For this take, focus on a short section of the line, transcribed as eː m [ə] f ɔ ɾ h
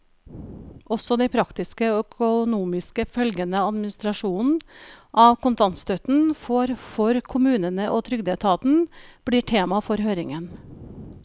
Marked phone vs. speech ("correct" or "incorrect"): incorrect